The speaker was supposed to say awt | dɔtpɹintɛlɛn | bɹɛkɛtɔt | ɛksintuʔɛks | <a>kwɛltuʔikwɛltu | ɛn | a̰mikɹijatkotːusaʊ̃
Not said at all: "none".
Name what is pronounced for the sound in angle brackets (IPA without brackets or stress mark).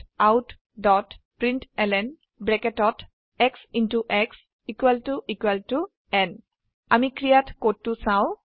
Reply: i